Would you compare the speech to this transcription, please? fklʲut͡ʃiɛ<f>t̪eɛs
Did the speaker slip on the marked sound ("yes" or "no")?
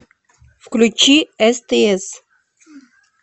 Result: yes